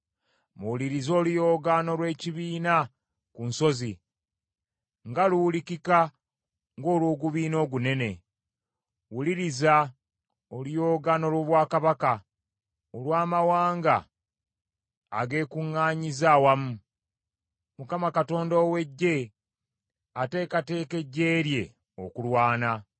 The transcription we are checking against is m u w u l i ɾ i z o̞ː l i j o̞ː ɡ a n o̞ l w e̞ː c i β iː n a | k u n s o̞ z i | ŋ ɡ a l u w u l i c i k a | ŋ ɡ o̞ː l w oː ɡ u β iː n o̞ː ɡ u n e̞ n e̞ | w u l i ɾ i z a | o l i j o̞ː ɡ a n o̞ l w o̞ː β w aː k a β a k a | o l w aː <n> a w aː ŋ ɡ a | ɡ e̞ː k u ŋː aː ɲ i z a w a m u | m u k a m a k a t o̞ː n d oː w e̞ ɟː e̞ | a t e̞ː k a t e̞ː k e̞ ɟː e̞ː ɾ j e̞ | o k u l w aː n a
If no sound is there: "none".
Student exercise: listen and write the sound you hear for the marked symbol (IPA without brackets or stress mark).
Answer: m